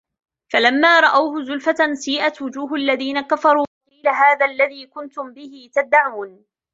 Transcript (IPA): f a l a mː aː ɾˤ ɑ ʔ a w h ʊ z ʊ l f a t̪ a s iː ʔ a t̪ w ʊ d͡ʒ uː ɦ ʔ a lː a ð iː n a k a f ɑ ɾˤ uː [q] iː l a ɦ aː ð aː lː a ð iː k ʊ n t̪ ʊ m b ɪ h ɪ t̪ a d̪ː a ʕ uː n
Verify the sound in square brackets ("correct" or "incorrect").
correct